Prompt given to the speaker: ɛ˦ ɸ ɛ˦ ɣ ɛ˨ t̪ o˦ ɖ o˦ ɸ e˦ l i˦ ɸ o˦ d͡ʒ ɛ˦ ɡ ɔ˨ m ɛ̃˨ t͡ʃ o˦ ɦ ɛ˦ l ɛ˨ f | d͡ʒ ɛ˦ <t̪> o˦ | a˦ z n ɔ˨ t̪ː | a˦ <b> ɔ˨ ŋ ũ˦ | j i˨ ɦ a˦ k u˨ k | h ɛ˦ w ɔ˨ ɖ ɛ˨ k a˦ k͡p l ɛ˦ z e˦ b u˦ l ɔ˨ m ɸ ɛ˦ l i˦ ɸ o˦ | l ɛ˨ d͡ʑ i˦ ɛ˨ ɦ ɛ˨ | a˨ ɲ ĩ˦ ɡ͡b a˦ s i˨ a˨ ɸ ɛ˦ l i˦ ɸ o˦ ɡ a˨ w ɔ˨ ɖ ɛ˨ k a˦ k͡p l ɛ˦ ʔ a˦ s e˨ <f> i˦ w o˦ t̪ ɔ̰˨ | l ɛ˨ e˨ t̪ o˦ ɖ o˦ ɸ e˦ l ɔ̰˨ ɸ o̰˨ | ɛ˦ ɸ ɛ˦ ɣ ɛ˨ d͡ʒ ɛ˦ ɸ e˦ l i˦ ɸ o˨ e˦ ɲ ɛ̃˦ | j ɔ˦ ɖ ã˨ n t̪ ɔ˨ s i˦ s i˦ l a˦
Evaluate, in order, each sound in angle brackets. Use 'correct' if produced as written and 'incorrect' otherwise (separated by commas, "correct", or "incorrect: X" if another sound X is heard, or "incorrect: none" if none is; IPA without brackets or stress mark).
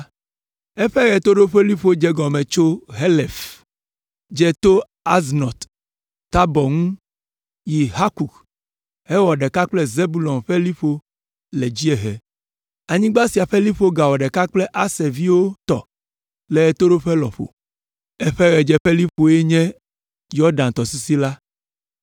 correct, correct, incorrect: v